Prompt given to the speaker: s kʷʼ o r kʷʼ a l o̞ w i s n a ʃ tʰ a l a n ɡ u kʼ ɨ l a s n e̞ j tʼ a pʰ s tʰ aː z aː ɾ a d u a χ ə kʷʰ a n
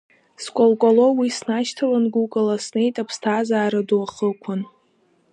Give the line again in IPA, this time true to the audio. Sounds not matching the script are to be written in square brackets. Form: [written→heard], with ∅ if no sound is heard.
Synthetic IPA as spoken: s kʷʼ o [r→l] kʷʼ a l o̞ w i s n a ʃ tʰ a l a n ɡ u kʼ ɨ l a s n e̞ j tʼ a pʰ s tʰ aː z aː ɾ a d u a χ ə kʷʰ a n